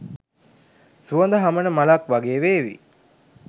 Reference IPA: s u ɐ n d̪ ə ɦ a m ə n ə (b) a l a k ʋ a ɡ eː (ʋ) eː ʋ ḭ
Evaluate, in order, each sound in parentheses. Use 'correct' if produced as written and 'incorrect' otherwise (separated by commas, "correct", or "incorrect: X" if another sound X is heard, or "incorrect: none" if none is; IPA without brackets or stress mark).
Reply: incorrect: m, correct